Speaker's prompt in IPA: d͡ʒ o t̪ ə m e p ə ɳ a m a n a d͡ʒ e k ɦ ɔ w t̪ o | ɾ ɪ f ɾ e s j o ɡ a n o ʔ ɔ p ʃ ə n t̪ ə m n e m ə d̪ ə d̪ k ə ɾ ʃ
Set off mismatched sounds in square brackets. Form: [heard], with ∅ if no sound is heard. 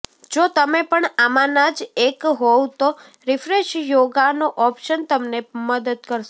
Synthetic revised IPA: d͡ʒ o t̪ ə m e p ə ɳ a m a n a d͡ʒ e k ɦ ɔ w t̪ o | ɾ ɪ f ɾ e [ʃ] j o ɡ a n o ʔ ɔ p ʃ ə n t̪ ə m n e m ə d̪ ə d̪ k ə ɾ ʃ